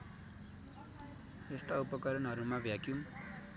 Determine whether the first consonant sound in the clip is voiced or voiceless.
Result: voiceless